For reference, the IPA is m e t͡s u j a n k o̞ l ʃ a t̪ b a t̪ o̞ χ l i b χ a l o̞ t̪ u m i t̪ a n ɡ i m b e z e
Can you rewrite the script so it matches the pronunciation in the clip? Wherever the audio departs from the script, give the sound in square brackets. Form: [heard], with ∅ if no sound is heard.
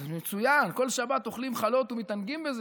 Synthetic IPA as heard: m e t͡s u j a n k o̞ l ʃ a [∅] b a t̪ o̞ χ l i [m] χ a l o̞ t̪ u m i t̪ a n ɡ i m b e z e